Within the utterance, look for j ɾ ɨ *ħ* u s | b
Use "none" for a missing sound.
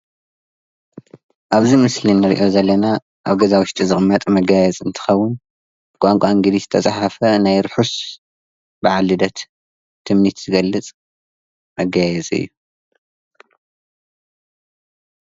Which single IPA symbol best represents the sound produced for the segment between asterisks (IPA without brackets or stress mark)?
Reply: ħ